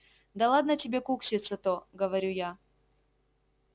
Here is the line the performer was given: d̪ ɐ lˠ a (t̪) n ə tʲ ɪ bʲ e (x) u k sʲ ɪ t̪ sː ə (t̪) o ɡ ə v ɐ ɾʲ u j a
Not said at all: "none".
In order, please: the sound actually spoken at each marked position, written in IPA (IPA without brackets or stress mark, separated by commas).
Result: d̪, k, t̪